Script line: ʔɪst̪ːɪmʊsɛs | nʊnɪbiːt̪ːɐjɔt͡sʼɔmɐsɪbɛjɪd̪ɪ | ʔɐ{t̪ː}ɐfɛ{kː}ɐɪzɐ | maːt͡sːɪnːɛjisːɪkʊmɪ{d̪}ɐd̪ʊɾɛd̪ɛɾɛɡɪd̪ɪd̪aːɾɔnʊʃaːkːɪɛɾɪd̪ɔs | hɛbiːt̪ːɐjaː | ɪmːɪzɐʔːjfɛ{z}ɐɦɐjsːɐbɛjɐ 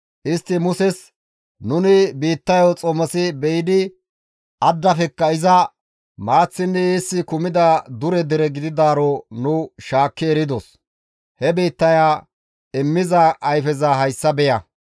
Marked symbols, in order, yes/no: no, yes, yes, yes

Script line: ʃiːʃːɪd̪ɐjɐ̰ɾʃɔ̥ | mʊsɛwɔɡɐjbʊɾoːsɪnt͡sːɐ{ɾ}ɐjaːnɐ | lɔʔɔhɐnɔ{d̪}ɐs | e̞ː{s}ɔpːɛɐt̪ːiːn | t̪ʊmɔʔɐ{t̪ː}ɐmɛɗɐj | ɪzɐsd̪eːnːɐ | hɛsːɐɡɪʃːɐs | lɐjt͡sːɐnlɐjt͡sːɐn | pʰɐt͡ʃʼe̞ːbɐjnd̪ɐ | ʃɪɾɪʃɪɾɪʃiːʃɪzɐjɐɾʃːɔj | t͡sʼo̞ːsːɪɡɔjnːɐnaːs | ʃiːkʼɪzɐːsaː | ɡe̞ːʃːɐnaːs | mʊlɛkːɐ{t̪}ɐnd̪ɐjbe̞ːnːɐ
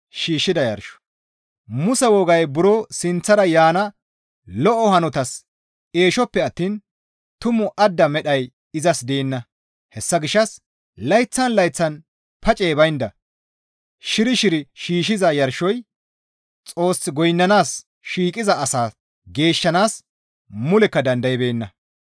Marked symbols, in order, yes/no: yes, no, no, no, no

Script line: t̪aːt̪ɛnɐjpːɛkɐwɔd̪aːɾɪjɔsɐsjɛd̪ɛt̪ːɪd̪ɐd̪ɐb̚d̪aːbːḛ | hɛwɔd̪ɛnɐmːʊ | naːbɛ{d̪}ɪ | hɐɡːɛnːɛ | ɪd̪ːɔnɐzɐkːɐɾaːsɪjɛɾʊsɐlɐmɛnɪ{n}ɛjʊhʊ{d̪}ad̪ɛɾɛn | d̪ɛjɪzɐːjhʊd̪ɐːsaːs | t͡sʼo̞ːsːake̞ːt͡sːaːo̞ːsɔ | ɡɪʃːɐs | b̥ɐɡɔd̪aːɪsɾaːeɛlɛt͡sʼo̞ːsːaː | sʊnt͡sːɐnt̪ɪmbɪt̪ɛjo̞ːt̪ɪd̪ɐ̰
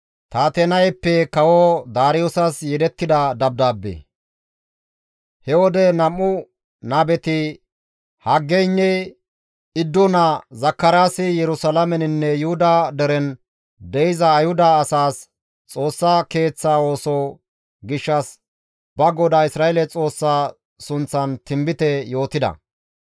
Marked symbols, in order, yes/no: no, no, yes

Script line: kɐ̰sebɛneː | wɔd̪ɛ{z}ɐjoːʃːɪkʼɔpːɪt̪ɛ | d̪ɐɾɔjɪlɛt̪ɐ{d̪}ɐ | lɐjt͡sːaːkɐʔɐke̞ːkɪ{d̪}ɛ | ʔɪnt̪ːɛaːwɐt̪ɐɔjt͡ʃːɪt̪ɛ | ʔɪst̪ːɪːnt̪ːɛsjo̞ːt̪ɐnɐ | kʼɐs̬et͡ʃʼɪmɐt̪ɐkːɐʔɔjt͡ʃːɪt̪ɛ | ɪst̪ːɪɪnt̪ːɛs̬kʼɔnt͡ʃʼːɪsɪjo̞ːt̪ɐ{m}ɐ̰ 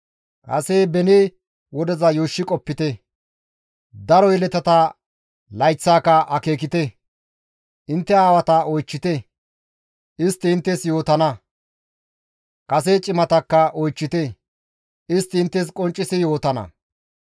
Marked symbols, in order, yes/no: yes, no, no, no

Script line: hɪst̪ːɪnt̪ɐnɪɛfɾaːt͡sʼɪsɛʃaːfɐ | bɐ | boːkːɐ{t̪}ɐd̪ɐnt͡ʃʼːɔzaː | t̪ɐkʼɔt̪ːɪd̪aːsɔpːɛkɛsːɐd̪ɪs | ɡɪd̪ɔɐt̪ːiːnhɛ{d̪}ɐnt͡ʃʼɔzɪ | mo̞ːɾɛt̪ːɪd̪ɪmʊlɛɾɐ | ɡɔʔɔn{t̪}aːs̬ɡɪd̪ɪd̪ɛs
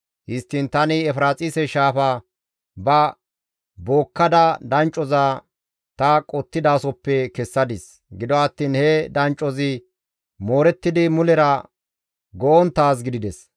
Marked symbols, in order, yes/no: no, yes, yes

